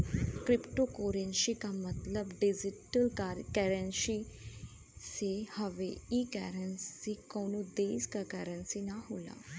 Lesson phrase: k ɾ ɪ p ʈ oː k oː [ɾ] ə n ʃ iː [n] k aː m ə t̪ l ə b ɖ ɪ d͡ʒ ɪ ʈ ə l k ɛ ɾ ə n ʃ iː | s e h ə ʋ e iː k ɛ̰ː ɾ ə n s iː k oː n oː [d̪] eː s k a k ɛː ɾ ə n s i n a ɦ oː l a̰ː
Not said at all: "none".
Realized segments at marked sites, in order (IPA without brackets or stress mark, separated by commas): ɾ, none, d̪